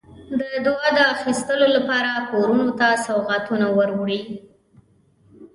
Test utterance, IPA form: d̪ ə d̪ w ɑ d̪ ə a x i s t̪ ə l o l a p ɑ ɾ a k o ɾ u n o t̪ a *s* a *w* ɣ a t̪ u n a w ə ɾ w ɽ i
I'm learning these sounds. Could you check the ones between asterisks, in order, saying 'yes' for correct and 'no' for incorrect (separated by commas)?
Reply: yes, yes